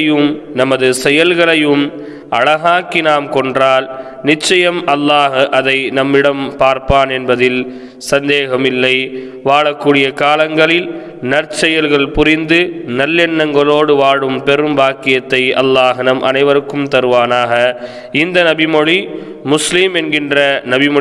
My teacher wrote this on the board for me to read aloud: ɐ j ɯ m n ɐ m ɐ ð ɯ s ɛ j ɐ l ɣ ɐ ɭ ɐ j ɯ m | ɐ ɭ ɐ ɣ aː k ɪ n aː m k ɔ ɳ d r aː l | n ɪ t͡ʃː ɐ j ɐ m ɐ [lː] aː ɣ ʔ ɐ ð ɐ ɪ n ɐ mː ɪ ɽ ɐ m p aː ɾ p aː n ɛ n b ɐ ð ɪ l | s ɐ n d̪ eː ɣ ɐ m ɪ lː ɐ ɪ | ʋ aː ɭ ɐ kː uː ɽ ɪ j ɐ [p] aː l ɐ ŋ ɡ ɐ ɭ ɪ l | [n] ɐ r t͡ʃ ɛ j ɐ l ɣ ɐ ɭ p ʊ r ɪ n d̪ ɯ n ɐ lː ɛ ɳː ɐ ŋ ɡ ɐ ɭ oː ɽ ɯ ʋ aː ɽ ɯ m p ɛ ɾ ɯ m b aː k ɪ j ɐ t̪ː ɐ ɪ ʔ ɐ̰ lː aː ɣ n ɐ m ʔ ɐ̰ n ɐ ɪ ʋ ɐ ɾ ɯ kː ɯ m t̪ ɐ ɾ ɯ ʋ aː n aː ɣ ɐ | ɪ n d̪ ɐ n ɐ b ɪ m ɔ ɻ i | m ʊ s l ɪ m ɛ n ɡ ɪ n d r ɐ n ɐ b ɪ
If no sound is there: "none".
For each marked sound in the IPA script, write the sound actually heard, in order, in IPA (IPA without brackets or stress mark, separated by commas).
lː, k, n